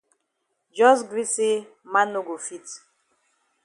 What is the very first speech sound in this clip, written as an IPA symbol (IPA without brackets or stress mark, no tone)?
d͡ʒ